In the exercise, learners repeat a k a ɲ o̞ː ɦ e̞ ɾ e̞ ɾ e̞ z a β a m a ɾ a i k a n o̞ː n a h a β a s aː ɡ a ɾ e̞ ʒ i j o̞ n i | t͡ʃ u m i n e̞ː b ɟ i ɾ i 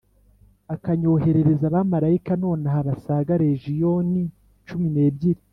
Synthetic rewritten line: a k a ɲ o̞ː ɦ e̞ ɾ e̞ ɾ e̞ z a β a m a ɾ a i k a n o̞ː n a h a β a s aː ɡ a ɾ e̞ ʒ i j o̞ n i | t͡ʃ u m i n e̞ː b ɟ i ɾ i